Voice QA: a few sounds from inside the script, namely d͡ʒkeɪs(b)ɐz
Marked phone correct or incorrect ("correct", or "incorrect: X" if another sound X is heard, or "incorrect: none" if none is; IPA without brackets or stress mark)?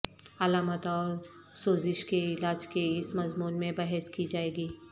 incorrect: m